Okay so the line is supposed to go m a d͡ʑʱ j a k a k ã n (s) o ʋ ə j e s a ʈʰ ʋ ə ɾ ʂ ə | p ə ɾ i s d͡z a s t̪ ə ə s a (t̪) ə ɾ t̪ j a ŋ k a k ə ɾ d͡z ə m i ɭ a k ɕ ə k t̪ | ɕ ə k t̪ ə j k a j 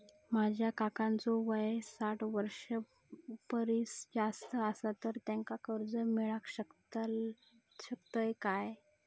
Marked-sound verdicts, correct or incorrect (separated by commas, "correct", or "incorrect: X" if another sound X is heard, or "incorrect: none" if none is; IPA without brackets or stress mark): incorrect: t͡s, correct